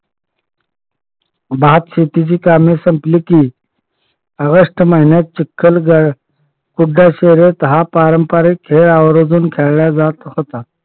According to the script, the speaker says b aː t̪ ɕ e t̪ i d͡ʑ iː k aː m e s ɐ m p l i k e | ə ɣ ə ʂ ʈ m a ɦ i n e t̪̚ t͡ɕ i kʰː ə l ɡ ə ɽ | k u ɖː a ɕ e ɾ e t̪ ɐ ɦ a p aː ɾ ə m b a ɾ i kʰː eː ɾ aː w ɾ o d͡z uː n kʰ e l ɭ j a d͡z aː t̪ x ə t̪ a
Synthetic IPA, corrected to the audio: b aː t̪ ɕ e t̪ i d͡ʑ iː k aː m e s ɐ m p l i k i | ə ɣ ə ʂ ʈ m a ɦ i n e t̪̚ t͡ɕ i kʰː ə l ɡ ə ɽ | k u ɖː a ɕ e ɾ e t̪ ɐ ɦ a p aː ɾ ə m p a ɾ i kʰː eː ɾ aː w ɾ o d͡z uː n kʰ e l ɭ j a d͡z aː t̪ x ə t̪ a